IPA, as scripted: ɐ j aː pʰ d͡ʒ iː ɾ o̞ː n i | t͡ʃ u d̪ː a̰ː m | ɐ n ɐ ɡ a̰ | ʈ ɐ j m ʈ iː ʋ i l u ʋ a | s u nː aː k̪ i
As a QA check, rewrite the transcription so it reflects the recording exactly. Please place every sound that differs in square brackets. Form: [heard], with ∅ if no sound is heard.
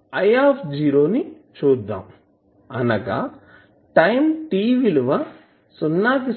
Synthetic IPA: ɐ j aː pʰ d͡ʒ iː ɾ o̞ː n i | t͡ʃ [uː] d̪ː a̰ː m | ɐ n ɐ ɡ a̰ | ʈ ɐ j m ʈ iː ʋ i l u ʋ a | s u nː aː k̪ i